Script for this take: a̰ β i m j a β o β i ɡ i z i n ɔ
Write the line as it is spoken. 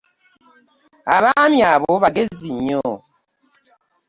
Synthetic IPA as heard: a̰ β a m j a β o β a ɡ e z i ɲ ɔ